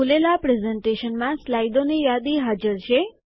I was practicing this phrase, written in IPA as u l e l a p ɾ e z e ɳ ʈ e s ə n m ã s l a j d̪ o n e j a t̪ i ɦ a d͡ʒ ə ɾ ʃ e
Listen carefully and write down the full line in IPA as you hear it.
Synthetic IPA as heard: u l e l a p ɾ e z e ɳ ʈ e ʃ ə n m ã s l a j d̪ o n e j a d̪ i ɦ a d͡ʒ ə ɾ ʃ e